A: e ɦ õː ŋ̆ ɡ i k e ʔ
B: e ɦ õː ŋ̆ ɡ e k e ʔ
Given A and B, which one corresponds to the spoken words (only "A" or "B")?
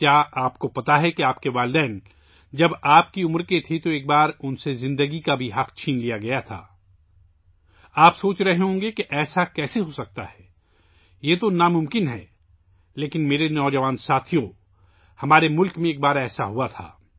B